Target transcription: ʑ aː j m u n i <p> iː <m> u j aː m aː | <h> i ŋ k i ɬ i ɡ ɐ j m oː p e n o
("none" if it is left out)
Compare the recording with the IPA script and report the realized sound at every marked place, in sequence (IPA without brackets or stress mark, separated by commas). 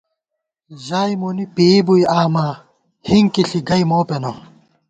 p, b, h